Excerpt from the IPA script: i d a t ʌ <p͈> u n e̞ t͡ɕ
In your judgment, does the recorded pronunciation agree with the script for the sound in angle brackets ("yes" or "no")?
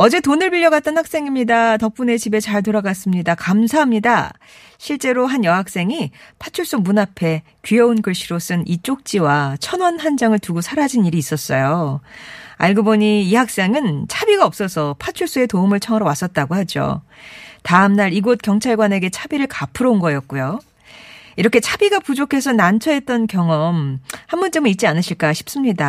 yes